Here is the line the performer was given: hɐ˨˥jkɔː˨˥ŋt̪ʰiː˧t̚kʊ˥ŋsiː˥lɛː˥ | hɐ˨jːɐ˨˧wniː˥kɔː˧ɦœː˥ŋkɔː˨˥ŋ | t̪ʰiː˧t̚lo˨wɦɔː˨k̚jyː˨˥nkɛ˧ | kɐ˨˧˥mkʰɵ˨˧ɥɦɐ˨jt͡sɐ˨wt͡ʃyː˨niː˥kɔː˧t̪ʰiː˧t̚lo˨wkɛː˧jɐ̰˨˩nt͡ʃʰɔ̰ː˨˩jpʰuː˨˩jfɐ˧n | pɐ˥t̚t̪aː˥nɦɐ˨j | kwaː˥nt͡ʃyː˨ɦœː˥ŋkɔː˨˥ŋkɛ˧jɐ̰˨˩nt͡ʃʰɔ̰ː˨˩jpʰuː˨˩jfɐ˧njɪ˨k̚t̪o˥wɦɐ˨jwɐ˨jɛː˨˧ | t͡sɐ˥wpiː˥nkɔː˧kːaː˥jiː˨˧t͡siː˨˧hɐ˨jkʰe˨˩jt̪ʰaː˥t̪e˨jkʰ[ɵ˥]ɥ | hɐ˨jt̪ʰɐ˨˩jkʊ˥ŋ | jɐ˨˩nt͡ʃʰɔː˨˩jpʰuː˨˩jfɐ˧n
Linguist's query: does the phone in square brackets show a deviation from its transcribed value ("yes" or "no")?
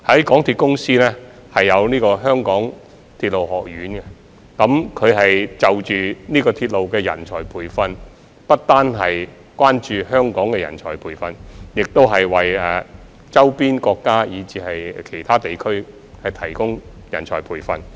no